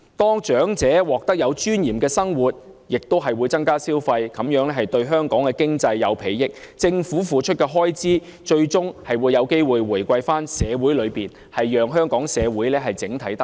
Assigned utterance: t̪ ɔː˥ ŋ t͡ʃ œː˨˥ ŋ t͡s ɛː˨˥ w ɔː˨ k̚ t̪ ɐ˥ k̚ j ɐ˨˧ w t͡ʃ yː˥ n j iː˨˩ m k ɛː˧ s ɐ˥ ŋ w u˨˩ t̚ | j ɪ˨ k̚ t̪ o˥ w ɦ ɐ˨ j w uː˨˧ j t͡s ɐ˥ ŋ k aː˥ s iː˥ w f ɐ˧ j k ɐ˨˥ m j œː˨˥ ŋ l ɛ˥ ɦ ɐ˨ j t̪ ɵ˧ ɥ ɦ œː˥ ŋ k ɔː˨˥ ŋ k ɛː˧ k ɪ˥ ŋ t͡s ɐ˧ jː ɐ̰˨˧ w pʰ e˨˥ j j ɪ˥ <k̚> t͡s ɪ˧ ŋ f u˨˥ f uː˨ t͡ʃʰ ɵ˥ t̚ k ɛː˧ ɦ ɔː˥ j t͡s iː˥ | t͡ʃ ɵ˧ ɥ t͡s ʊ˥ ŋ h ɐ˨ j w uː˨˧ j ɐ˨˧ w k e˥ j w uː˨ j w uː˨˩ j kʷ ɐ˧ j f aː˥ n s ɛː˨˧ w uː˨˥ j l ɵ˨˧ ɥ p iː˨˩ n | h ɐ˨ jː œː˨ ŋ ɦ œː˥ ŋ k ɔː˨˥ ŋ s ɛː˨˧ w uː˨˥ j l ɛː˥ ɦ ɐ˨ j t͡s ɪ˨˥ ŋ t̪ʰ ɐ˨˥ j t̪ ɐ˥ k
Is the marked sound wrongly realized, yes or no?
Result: no